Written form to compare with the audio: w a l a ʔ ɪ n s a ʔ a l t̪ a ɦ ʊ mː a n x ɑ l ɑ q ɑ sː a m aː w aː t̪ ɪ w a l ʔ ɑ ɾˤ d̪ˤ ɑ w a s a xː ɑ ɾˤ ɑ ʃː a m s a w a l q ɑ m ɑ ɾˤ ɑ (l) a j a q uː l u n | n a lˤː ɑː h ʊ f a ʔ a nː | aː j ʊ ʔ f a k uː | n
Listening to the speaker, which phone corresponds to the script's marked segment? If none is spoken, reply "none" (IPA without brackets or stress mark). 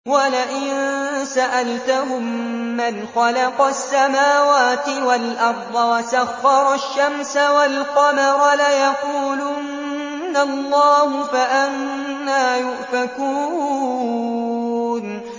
l